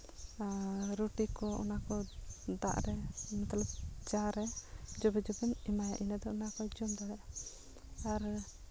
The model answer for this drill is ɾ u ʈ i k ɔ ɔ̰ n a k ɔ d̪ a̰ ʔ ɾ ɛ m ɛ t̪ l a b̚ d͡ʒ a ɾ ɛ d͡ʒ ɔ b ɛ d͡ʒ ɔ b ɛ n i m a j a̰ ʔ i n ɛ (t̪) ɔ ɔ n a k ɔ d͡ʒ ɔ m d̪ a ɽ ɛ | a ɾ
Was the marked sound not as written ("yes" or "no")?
yes